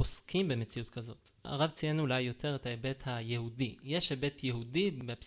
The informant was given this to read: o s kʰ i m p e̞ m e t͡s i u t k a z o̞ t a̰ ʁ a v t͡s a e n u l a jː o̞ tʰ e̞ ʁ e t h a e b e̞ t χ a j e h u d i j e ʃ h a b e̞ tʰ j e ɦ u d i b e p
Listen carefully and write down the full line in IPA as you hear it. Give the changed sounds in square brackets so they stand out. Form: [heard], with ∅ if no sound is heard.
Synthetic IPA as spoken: o s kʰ i m [b] e̞ m e t͡s i u t k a z o̞ t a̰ ʁ a v t͡s [i] e n u l a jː o̞ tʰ e̞ ʁ e t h a e b e̞ t [h] a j e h u d i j e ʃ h [e] b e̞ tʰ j e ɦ u d i b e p